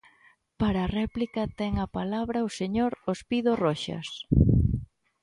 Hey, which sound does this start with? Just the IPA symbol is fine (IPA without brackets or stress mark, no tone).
p